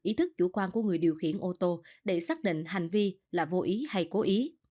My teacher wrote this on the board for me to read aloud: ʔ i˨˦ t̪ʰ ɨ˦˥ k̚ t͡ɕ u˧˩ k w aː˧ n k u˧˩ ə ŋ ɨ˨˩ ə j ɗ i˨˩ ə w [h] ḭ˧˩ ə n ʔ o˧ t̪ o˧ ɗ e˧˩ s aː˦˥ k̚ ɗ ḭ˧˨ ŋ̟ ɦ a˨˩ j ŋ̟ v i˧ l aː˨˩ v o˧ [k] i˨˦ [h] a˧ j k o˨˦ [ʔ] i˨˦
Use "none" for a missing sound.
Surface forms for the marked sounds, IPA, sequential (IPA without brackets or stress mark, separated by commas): x, ʔ, h, ʔ